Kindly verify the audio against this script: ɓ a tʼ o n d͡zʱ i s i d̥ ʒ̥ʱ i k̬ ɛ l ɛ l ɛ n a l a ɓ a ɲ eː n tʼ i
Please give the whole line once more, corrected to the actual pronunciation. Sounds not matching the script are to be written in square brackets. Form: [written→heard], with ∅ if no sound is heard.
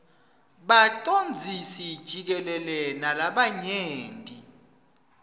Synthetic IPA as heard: ɓ a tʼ o n d͡zʱ i s i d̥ ʒ̥ʱ i k̬ ɛ l ɛ l ɛ n a l a ɓ a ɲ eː n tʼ i